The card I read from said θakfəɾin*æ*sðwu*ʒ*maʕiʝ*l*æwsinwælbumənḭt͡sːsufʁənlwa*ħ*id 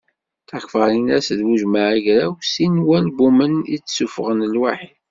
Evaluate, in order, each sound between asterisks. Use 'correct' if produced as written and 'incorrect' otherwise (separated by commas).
correct, correct, incorrect, correct